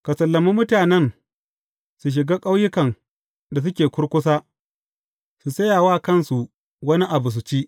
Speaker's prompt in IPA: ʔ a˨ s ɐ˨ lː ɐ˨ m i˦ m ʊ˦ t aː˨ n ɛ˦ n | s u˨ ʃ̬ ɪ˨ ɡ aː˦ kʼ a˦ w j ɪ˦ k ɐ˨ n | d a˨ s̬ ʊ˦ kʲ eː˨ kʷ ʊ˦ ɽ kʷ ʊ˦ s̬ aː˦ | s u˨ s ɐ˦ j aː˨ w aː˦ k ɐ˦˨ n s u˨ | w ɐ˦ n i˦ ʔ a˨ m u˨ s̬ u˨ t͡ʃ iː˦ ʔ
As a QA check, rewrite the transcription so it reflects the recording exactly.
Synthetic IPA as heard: k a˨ s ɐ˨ lː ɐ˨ m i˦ m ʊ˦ t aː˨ n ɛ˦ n | s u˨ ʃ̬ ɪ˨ ɡ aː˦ kʼ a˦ w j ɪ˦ k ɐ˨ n | d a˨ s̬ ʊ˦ kʲ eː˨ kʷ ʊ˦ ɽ kʷ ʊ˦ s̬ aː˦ | s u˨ s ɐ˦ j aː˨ w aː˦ k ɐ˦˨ n s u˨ | w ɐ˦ n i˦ ʔ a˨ b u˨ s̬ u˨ t͡ʃ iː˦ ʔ